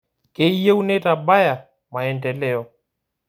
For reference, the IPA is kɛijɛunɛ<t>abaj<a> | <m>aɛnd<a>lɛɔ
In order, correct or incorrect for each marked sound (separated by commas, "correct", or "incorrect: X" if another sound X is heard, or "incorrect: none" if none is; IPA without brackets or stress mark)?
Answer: correct, correct, correct, incorrect: ɛ